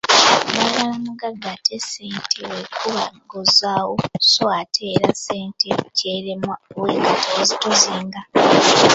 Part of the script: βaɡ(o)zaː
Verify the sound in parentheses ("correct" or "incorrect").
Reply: correct